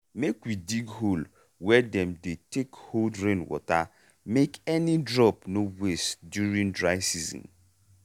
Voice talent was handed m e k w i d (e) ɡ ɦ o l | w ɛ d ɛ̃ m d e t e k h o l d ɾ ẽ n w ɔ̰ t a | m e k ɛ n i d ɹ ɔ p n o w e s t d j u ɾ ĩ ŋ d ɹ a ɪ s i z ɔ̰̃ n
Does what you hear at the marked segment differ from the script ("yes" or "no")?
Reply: yes